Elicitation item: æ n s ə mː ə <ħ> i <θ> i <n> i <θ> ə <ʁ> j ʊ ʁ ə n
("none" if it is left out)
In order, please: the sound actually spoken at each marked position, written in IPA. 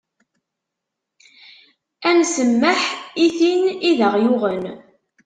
ħ, θ, n, ð, ʁ

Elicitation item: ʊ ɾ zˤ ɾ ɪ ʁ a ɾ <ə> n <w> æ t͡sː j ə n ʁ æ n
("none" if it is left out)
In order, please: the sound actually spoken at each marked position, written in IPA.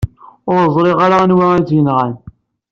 a, w

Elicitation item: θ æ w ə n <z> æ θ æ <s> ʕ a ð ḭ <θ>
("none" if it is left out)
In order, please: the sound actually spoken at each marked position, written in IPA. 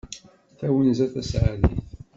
z, s, θ

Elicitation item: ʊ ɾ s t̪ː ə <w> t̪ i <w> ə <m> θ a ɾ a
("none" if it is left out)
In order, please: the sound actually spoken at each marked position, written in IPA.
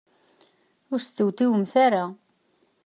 w, w, m

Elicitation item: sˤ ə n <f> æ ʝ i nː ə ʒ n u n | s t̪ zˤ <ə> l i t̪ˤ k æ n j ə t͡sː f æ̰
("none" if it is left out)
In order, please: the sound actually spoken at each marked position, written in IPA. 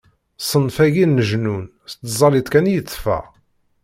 f, ɑ

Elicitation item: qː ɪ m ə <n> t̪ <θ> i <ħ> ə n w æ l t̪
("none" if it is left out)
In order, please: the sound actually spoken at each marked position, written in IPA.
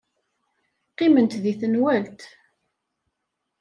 n, ð, θ

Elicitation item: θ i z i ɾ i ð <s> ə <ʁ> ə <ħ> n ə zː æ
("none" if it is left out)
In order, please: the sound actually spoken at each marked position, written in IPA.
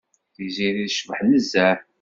ʃ, v, ħ

